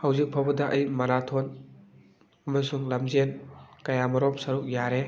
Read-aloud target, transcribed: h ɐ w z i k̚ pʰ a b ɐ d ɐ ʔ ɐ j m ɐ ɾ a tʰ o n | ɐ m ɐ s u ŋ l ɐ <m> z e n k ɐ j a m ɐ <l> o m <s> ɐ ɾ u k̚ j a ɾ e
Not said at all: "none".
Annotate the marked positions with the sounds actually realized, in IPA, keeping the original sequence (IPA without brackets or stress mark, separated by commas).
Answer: m, ɾ, s